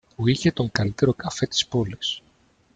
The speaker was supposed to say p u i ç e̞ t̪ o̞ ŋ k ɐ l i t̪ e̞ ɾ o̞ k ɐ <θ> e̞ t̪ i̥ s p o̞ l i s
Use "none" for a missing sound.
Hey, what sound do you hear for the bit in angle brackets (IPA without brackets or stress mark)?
f